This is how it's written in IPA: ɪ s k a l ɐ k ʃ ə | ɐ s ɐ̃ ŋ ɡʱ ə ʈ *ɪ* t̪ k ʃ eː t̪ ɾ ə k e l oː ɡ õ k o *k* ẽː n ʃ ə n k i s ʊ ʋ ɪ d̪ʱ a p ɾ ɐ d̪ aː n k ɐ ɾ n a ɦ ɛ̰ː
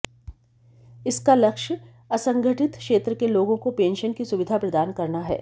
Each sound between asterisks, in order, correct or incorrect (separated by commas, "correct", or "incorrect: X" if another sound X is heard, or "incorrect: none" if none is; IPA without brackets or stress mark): correct, incorrect: p